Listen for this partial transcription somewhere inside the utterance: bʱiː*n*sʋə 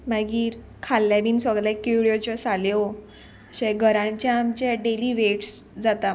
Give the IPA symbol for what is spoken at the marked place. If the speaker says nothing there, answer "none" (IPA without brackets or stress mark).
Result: n